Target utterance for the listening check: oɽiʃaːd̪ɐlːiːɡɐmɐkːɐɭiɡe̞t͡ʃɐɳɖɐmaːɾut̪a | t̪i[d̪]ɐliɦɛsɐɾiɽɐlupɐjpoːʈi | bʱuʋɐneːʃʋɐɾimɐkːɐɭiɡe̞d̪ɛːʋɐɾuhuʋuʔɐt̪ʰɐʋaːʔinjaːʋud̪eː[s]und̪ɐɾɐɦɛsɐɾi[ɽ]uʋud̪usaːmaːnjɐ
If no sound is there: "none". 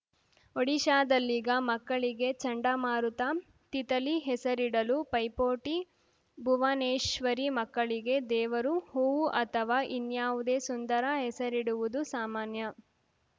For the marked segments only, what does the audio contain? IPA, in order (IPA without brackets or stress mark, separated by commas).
t̪, s, ɽ